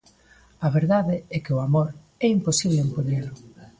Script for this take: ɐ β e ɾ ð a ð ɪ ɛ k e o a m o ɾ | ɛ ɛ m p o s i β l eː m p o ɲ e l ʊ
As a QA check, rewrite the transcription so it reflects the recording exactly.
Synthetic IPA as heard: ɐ β e ɾ ð a ð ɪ ɛ k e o a m o ɾ | ɛ i m p o s i β l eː m p o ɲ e l ʊ